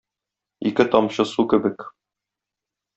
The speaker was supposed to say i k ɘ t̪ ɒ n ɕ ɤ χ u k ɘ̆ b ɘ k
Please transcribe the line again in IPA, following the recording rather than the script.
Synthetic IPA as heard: i k ɘ t̪ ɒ m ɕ ɤ s u k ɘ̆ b ɘ k